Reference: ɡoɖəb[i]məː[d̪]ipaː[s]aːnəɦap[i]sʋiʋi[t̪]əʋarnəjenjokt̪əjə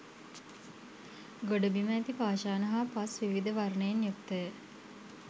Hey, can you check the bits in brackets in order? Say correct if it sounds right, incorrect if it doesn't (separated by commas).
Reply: correct, incorrect, incorrect, incorrect, incorrect